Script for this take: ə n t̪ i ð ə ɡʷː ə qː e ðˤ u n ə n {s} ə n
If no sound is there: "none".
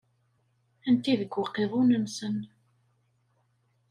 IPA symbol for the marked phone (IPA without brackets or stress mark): s